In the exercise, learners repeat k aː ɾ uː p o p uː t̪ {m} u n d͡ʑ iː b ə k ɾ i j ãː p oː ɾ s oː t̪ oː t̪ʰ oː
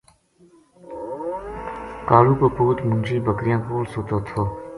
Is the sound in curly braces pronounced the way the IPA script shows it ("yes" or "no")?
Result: yes